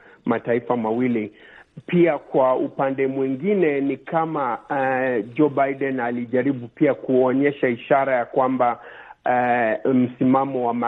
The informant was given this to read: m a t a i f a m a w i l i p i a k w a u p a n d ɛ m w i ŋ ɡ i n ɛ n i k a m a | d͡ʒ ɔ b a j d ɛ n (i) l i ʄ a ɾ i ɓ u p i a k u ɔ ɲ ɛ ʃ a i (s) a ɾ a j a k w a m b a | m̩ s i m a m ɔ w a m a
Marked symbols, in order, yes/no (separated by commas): no, no